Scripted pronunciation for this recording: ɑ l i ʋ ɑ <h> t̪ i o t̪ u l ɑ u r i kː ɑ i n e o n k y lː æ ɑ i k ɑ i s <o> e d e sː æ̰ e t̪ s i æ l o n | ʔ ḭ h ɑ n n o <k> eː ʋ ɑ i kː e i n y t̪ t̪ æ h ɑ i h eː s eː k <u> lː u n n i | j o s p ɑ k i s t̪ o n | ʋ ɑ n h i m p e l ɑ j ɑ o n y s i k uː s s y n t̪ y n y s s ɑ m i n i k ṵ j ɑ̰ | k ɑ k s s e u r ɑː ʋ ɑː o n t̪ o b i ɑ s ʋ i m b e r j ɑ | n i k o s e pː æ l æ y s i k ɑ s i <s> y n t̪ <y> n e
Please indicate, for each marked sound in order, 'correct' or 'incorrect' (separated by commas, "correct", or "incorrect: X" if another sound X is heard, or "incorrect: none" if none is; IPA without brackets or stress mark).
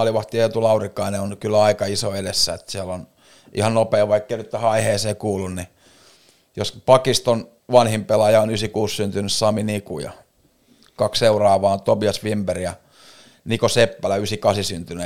correct, correct, incorrect: p, incorrect: uː, correct, correct